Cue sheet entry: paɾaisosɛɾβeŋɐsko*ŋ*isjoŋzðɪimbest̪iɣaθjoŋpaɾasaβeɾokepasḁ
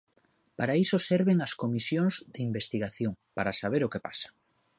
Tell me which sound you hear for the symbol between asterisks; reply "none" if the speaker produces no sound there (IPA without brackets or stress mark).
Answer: m